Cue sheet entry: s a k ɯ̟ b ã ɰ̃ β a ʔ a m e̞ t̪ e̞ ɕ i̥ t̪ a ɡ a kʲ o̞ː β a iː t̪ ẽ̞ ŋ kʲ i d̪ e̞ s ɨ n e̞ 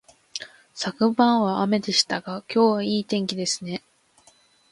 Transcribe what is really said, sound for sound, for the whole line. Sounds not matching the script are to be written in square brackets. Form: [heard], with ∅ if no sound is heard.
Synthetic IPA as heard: s a k ɯ̟ b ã ɰ̃ β a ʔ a m e̞ [d̪] e̞ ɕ i̥ t̪ a ɡ a kʲ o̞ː β a iː t̪ ẽ̞ ŋ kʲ i d̪ e̞ s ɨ n e̞